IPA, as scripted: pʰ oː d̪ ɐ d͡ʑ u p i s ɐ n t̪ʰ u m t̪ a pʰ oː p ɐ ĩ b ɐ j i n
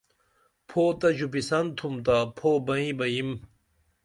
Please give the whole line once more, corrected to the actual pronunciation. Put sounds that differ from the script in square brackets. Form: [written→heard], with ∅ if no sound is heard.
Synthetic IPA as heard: pʰ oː [d̪→t̪] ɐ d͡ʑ u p i s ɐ n t̪ʰ u m t̪ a pʰ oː [p→b] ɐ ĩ b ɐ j i [n→m]